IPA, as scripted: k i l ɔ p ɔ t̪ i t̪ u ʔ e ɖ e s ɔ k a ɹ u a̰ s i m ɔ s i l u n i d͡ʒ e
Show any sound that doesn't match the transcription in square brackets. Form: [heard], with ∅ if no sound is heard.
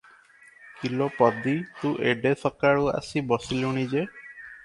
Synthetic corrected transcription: k i l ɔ p ɔ [d̪] i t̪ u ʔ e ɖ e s ɔ k a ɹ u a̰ s i [b] ɔ s i l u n i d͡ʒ e